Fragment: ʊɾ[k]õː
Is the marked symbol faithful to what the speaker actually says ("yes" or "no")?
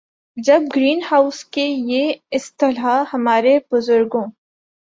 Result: no